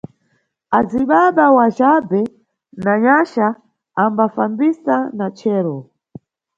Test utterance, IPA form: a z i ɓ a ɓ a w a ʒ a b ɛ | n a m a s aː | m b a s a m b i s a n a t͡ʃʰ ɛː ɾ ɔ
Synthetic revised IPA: a z i ɓ a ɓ a w a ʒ a b ɛ | n a ɲ a ʃ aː | m b a f a m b i s a n a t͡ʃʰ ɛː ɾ ɔ